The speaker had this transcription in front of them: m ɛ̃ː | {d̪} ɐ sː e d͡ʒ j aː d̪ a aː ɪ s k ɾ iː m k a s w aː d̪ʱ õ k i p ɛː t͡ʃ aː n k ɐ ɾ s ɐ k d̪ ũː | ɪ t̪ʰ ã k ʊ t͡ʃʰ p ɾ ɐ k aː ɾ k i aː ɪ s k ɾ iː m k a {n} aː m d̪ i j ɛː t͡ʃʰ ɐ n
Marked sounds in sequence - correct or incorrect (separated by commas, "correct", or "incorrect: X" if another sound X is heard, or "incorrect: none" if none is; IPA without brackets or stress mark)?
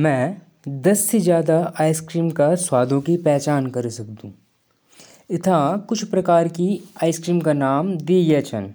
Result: correct, correct